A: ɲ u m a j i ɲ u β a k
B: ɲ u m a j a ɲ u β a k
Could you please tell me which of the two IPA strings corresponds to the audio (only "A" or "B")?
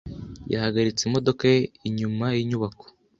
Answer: A